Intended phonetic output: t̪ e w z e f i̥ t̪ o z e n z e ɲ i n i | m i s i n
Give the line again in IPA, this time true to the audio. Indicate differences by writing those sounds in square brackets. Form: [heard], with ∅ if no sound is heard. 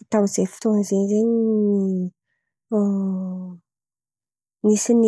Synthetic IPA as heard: t̪ [a] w z e f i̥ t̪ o z e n z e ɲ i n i | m i s i n